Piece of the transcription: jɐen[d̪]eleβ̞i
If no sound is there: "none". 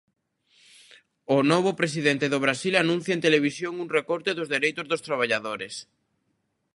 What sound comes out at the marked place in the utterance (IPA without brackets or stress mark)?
t̪